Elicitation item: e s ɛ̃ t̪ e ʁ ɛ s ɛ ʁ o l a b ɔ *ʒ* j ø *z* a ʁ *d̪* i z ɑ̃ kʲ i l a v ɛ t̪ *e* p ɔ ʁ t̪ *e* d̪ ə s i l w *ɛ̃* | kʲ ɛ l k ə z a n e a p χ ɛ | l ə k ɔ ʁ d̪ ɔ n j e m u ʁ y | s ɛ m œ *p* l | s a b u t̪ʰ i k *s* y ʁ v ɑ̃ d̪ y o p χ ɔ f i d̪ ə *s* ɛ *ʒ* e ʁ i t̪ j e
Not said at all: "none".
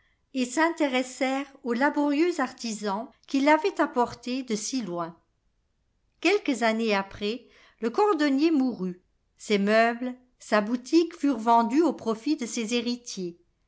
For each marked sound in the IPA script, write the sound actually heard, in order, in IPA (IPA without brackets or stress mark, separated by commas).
ʁ, z, t̪, a, e, ɛ̃, b, f, s, z